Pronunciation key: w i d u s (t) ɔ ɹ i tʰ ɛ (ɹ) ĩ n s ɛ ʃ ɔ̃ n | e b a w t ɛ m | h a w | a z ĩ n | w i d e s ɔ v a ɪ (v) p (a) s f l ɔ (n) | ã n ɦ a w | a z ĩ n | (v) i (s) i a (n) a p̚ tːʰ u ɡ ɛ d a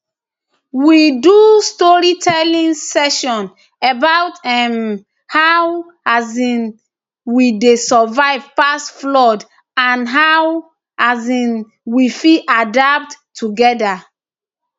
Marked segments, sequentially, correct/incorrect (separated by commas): correct, incorrect, correct, correct, incorrect, incorrect, incorrect, incorrect